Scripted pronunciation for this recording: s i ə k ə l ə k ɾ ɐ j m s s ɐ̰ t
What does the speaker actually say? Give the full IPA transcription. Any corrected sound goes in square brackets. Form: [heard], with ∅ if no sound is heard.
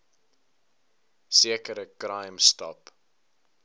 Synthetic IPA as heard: s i ə k ə [ɾ] ə k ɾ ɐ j m s [t] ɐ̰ [p]